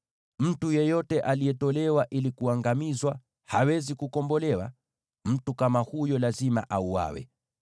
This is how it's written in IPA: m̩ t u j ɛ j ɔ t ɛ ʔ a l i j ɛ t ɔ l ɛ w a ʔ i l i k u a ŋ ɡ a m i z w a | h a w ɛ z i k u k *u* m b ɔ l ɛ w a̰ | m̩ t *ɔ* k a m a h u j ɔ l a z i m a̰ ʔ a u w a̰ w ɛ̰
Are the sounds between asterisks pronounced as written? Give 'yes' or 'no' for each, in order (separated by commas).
no, no